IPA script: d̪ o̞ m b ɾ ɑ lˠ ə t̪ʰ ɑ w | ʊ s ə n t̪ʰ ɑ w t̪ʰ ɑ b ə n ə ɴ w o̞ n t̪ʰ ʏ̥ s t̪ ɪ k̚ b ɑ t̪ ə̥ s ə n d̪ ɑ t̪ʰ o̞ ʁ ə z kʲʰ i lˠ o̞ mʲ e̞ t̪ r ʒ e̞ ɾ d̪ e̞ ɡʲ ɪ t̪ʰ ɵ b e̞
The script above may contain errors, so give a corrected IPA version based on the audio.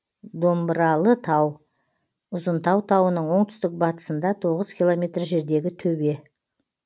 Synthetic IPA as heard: d̪ o̞ m b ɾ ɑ lˠ ə t̪ʰ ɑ w | ʊ z ə n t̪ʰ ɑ w t̪ʰ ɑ w ə n ə ɴ w o̞ ɴ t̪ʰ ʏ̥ s t̪ ɪ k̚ b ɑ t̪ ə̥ s ə n d̪ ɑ t̪ʰ o̞ ʁ ə z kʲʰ i lˠ o̞ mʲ e̞ t̪ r ʒ e̞ ɾ d̪ e̞ ɡʲ ɪ t̪ʰ ɵ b e̞